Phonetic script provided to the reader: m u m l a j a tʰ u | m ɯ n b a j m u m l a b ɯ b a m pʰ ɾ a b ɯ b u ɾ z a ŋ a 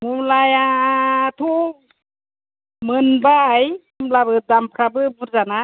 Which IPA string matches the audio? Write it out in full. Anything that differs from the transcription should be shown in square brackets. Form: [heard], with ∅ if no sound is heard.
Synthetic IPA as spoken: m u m l a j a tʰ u | m ɯ n b a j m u m l a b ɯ [d] a m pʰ ɾ a b ɯ b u ɾ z a [n] a